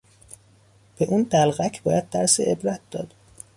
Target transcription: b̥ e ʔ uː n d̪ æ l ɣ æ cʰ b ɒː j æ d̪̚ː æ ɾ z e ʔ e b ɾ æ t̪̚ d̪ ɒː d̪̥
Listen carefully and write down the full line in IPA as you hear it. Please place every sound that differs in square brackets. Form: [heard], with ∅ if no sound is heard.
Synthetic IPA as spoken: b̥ e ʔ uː n d̪ æ l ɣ æ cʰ b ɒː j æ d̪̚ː æ ɾ [s] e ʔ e b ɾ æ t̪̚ d̪ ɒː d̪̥